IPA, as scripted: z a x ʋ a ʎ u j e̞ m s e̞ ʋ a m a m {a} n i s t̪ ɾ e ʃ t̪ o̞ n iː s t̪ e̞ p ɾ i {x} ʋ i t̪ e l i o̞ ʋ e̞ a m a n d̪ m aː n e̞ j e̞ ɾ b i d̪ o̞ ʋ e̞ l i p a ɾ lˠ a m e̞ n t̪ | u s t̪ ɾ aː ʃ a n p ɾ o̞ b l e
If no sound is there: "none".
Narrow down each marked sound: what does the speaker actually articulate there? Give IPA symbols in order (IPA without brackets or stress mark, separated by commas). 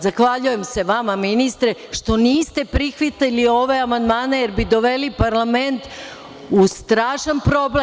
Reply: i, x